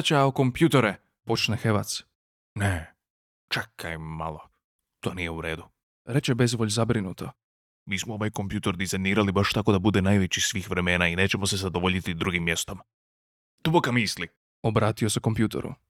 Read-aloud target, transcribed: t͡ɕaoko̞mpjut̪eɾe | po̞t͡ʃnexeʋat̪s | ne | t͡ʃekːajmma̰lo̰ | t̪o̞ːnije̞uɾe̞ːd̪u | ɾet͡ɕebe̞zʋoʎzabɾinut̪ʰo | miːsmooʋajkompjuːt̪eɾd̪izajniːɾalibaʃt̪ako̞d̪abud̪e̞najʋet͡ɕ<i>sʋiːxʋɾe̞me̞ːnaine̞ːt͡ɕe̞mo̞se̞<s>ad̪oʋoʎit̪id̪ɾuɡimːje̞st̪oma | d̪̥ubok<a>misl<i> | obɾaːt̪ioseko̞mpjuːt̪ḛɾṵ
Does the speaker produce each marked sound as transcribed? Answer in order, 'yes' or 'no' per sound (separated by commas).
yes, no, yes, yes